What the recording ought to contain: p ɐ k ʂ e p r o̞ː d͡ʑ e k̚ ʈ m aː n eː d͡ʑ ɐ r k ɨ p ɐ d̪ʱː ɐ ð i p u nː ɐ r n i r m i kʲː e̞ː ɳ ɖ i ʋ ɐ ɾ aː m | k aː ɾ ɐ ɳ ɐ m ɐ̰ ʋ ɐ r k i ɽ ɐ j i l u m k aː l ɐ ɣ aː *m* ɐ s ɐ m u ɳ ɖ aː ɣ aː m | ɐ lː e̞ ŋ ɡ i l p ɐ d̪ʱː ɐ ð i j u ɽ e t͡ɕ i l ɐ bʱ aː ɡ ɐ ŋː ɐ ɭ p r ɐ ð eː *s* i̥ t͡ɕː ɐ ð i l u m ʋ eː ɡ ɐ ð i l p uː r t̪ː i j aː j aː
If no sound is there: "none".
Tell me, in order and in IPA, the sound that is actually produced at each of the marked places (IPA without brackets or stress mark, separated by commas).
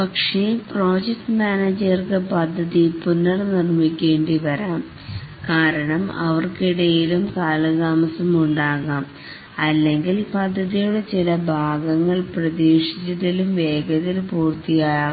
m, ʂ